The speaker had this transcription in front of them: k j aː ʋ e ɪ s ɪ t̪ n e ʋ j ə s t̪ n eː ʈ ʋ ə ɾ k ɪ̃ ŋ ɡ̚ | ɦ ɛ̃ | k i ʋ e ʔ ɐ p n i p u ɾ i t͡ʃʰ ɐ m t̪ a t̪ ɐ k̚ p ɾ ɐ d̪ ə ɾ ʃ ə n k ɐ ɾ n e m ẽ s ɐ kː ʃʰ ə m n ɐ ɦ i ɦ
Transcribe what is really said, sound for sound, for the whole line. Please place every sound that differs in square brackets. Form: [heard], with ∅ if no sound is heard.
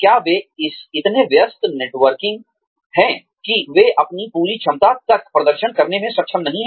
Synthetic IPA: k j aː ʋ e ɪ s ɪ t̪ n e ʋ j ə s t̪ n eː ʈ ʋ ə ɾ k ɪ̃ ŋ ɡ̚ | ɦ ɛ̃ | k i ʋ e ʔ ɐ p n i p [uː] ɾ i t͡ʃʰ ɐ m t̪ a t̪ ɐ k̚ p ɾ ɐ d̪ ə ɾ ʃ ə n k ɐ ɾ n e m ẽ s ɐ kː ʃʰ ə m n ɐ ɦ [ĩ] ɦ